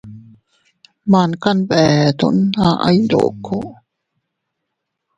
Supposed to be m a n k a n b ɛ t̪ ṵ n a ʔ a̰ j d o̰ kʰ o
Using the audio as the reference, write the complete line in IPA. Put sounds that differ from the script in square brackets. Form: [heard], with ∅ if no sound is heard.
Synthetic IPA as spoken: m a n k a n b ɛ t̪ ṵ n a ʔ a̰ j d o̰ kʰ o